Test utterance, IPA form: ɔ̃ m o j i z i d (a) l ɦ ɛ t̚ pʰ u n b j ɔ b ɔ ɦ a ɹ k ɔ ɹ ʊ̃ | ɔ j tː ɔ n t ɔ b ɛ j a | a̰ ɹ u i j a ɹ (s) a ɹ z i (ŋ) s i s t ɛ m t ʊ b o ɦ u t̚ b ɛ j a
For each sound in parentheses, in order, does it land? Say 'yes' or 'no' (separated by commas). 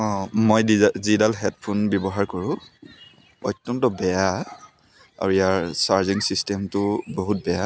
yes, yes, yes